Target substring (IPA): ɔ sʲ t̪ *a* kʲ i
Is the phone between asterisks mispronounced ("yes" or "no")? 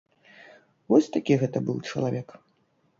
no